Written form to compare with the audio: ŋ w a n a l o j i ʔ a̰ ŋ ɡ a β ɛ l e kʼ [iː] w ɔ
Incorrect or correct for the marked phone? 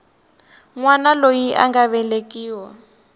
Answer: correct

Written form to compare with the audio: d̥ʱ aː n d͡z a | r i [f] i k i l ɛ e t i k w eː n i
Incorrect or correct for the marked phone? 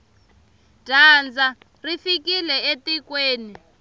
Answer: correct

